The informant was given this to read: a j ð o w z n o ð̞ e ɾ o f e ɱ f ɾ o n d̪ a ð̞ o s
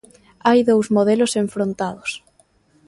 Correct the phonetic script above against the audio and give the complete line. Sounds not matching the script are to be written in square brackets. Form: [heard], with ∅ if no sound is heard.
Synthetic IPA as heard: a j ð o w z [m] o ð̞ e [l] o [s] e ɱ f ɾ o n [t̪] a ð̞ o s